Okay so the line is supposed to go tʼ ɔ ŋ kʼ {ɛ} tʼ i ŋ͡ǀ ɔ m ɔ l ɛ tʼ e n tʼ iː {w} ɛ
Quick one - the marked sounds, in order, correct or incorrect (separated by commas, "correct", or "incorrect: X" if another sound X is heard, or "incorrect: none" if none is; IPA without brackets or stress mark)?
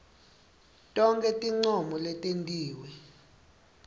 correct, correct